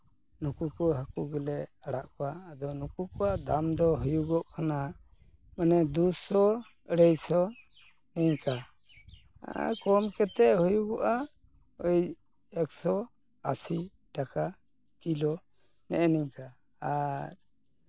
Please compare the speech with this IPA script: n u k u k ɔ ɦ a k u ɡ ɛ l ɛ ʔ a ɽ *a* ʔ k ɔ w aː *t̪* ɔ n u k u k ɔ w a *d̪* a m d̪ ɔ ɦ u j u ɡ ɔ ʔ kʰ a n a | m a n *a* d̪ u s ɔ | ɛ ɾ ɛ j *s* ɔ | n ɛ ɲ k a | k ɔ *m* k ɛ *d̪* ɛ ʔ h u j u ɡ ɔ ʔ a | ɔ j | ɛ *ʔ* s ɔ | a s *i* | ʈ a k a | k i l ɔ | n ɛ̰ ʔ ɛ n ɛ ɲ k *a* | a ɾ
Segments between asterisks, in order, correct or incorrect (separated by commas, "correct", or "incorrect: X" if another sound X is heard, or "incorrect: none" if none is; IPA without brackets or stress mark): correct, incorrect: d̪, correct, incorrect: ɛ, correct, correct, incorrect: t̪, incorrect: k, correct, correct